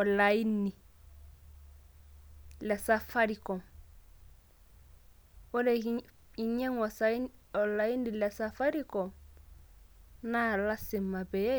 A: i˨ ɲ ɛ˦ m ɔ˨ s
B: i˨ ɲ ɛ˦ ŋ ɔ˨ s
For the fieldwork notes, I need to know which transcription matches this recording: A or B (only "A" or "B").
B